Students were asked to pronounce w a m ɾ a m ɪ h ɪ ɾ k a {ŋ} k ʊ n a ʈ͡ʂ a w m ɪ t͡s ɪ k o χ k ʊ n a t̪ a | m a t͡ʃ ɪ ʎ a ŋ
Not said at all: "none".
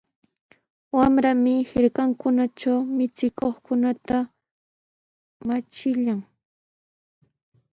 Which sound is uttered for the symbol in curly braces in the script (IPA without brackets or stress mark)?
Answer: ŋ